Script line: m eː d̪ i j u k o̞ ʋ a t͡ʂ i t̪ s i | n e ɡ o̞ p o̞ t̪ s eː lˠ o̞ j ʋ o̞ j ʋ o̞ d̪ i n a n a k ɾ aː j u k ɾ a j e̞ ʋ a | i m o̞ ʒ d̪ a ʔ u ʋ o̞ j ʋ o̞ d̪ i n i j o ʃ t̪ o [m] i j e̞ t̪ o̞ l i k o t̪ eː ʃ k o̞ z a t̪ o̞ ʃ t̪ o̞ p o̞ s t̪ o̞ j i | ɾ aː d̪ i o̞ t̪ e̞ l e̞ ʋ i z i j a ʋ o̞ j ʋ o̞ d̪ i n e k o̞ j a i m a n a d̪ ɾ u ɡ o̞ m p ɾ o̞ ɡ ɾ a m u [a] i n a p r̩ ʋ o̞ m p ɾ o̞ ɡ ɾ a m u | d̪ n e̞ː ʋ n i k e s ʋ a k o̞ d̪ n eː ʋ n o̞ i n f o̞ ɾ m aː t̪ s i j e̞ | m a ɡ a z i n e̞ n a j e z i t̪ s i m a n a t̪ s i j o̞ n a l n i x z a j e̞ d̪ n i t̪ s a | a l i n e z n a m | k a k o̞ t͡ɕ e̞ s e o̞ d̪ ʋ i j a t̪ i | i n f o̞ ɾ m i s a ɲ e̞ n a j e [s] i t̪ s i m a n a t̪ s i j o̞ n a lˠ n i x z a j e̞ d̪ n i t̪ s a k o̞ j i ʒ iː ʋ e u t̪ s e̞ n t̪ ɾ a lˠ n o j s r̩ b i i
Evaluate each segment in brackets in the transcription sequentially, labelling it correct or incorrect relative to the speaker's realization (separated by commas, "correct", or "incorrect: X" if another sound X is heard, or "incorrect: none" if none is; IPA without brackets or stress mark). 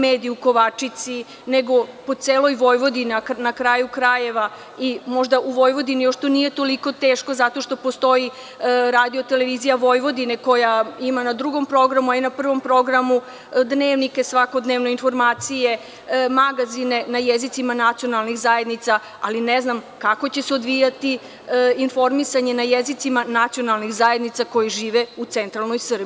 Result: incorrect: n, correct, incorrect: z